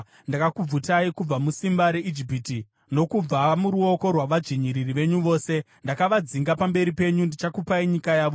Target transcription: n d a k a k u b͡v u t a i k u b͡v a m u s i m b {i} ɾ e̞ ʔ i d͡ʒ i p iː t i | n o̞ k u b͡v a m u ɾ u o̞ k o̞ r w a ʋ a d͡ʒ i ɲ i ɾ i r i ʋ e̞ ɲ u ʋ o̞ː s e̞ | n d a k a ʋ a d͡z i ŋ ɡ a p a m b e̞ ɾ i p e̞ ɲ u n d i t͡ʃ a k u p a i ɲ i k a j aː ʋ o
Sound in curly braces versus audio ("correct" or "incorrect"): incorrect